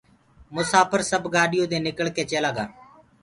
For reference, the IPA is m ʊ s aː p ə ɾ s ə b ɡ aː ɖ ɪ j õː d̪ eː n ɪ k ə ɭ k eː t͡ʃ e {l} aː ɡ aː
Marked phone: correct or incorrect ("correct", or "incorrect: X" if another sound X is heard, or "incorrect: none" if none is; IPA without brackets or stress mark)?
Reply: correct